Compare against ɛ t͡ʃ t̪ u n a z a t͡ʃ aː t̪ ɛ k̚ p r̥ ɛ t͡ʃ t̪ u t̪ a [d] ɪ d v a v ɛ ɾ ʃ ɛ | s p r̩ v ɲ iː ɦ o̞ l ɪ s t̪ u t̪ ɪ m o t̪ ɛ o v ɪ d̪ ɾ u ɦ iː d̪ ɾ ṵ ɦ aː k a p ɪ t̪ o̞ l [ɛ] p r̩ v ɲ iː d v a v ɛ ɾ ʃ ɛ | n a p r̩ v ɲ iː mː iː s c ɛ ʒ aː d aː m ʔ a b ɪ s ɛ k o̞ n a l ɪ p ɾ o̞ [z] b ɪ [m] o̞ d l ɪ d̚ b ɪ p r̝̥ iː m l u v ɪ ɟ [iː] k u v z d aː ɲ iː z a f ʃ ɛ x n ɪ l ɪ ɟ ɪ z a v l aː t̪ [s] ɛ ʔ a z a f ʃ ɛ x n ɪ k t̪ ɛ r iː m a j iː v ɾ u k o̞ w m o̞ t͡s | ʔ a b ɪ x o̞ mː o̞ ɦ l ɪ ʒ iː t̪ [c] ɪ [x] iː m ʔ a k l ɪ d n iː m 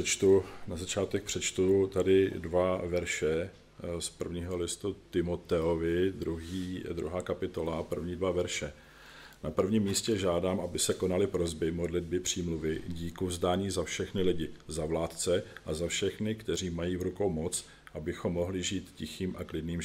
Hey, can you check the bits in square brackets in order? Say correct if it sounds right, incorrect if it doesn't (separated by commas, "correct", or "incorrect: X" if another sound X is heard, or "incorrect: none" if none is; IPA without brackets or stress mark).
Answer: correct, incorrect: a, correct, correct, correct, incorrect: t͡s, correct, correct